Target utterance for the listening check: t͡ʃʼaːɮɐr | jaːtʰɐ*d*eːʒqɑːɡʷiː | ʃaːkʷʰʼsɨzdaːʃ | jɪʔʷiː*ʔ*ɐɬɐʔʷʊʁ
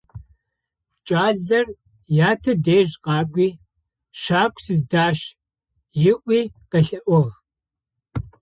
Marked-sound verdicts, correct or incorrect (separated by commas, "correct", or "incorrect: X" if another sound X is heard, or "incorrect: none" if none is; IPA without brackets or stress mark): correct, incorrect: q